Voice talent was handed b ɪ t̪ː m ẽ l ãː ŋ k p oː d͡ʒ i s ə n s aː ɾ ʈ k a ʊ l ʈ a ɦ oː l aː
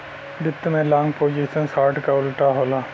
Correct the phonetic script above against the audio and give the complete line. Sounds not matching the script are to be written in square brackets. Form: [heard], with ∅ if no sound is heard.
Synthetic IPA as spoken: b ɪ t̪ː m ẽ l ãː ŋ [ɡ] p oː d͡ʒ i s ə n s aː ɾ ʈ k a ʊ l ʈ a ɦ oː l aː